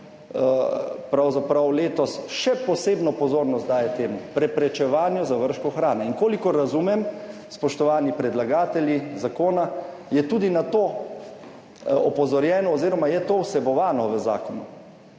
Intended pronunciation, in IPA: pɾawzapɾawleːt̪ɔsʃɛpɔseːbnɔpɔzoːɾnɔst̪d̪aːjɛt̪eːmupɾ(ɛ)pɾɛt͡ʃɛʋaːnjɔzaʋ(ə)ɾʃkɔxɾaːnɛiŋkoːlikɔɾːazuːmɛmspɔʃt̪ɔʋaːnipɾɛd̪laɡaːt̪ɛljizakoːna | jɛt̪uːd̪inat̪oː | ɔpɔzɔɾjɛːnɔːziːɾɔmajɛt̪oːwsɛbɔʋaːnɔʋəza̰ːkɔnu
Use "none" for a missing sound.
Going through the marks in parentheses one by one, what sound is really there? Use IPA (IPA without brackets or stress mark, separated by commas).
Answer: ɛ, ə